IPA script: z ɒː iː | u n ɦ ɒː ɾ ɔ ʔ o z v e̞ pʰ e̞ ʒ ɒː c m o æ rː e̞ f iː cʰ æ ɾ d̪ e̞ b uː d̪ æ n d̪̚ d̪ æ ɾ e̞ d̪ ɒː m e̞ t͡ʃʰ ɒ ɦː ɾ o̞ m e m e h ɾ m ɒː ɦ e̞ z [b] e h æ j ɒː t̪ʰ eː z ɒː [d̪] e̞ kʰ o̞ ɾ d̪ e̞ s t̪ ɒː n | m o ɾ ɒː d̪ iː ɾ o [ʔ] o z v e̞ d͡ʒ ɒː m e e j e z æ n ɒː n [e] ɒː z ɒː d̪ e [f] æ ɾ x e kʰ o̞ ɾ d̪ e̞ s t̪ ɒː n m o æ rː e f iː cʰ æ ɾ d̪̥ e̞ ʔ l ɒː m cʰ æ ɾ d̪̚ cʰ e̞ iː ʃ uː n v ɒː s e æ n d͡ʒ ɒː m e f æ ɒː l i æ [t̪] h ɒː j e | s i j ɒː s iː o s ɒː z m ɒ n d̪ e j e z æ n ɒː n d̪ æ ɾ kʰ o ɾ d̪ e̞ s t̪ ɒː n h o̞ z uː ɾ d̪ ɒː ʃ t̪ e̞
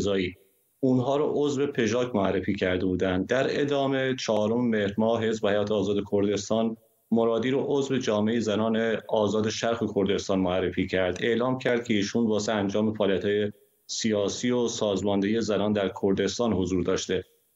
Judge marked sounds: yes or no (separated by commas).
yes, yes, yes, yes, no, yes